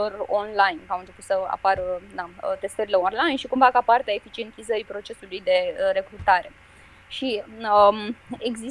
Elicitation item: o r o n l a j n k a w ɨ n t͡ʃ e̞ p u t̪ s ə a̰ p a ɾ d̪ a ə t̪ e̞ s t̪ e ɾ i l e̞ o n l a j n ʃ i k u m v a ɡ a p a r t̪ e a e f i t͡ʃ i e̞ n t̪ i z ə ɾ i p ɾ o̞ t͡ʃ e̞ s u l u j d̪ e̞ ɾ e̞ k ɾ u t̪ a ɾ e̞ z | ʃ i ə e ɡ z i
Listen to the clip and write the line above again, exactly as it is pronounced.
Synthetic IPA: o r o n l a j n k a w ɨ n t͡ʃ e̞ p u t̪ s ə a̰ p a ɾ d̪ a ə t̪ e̞ s t̪ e ɾ i l e̞ o n l a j n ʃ i k u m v a k a p a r t̪ e a e f i t͡ʃ i e̞ n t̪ i z ə ɾ i p ɾ o̞ t͡ʃ e̞ s u l u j d̪ e̞ ɾ e̞ k ɾ u t̪ a ɾ e̞ | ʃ i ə e ɡ z i